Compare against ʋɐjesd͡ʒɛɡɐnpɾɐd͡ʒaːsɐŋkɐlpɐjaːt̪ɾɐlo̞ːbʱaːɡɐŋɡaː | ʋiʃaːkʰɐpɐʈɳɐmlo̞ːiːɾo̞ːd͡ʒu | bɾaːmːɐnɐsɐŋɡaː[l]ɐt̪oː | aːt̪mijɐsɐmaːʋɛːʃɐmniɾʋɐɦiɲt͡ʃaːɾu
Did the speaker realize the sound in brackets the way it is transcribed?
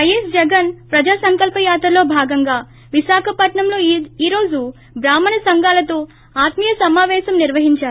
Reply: yes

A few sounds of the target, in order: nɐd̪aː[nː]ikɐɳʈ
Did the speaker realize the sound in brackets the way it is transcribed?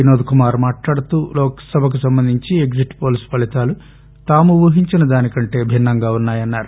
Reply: no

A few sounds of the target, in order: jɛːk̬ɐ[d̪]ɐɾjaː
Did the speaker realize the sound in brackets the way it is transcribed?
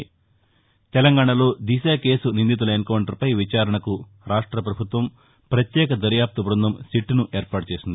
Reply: yes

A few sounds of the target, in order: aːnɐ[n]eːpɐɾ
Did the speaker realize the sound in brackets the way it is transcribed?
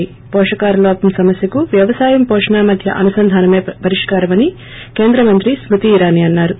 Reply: no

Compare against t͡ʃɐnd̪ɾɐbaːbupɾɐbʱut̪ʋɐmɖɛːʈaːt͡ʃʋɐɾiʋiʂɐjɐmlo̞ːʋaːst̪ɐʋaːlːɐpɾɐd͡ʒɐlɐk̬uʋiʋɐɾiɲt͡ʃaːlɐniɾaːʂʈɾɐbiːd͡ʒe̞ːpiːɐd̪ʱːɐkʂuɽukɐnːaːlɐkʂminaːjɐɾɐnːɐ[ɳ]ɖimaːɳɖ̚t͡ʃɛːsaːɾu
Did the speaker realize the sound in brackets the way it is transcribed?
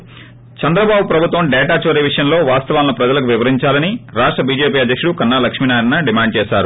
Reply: no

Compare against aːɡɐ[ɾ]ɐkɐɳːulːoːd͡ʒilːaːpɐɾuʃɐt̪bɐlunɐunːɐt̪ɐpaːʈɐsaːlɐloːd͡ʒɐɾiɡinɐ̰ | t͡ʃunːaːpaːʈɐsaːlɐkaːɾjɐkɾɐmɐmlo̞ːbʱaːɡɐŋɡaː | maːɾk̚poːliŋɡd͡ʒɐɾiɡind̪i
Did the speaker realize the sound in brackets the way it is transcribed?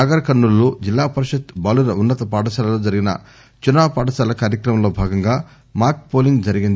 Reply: yes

